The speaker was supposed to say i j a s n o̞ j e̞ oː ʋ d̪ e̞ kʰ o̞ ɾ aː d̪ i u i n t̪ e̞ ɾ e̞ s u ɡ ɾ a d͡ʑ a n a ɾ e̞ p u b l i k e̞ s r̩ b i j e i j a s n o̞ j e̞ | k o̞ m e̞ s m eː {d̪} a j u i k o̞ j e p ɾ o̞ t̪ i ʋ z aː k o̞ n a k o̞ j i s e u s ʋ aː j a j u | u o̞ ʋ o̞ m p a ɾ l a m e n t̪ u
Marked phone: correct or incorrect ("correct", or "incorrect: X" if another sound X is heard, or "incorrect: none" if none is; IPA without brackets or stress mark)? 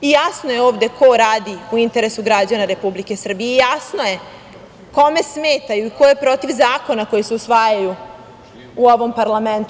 incorrect: t̪